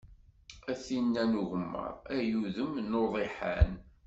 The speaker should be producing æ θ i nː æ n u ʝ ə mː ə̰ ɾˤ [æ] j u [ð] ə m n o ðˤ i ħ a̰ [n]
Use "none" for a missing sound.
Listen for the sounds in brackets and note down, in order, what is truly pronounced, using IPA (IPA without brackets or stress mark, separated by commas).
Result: æ, ð, n